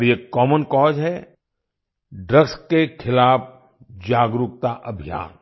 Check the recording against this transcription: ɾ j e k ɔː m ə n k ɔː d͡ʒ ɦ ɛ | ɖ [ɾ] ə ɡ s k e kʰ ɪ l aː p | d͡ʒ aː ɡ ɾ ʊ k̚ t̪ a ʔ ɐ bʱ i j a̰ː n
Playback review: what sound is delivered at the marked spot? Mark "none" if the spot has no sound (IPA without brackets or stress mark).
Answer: ɾ